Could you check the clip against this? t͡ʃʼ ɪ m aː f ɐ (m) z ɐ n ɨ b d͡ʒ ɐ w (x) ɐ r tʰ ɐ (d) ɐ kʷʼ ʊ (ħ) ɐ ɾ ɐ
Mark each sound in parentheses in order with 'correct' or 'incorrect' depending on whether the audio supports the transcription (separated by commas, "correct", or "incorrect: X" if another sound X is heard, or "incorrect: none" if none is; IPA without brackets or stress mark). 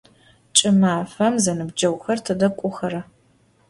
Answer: correct, correct, correct, incorrect: x